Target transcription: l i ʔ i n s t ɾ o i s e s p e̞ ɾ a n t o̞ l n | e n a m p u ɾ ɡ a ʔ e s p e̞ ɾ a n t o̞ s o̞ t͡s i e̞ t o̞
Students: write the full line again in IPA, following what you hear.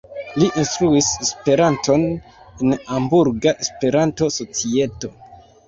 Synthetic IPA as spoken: l i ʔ i n s t ɾ u i s e s p e̞ ɾ a n t o̞ n | e n a m b u ɾ ɡ a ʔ e s p e̞ ɾ a n t o̞ s o̞ t͡s i e̞ t o̞